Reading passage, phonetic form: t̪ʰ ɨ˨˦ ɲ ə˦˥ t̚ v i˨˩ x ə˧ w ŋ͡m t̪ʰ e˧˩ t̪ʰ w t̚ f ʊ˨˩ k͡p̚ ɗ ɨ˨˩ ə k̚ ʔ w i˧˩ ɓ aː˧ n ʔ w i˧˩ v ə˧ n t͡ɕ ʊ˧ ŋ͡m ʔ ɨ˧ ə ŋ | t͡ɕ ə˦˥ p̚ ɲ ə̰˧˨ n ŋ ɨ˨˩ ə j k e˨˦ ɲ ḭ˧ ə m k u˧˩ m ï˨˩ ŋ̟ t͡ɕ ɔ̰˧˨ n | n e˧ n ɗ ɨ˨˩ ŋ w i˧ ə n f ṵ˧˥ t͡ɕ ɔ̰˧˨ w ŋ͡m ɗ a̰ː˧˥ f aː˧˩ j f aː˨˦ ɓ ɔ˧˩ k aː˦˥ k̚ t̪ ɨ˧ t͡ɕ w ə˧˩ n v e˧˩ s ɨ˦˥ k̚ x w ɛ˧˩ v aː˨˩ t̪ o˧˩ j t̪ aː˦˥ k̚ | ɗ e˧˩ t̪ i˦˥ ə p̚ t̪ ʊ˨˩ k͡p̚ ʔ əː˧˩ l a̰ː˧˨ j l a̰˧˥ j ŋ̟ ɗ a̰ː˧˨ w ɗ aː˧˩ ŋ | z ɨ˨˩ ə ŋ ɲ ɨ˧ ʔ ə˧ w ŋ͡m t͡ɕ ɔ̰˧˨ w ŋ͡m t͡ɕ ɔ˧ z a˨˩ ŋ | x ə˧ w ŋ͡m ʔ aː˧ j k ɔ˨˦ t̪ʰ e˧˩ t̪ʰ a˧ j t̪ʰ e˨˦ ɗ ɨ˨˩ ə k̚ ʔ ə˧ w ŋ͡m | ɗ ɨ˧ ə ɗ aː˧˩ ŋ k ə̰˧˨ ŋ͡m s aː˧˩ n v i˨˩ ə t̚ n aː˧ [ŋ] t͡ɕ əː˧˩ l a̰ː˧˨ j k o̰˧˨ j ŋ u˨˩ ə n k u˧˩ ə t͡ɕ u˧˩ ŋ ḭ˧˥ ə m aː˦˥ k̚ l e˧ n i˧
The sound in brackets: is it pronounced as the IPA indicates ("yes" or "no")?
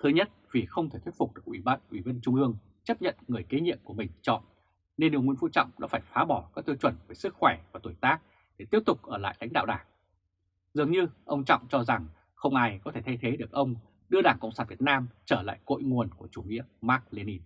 no